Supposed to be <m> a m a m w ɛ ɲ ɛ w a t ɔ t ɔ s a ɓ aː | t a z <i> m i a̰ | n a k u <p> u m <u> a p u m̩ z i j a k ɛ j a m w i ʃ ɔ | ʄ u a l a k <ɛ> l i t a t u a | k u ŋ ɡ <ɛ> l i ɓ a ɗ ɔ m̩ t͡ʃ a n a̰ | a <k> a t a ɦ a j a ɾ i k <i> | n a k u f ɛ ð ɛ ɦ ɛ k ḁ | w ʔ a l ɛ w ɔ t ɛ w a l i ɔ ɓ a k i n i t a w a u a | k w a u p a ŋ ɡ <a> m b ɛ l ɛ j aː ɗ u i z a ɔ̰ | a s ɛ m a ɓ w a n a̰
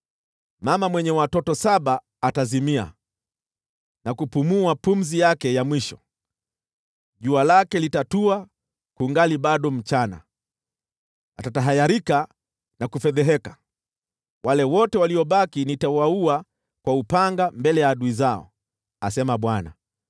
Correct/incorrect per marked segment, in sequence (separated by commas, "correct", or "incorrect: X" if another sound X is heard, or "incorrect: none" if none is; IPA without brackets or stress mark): correct, correct, correct, correct, correct, incorrect: a, incorrect: t, incorrect: a, correct